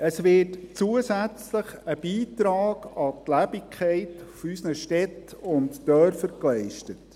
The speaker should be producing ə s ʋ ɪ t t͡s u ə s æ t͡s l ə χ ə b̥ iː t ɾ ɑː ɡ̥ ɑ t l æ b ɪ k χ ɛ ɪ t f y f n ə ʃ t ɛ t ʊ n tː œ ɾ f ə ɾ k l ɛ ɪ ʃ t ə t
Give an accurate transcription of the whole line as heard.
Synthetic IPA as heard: ə s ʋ ɪ t t͡s u ə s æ t͡s l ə χ ə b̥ iː t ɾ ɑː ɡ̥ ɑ t l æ b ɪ k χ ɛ ɪ t f y s n ə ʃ t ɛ t ʊ n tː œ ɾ f ə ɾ k l ɛ ɪ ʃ t ə t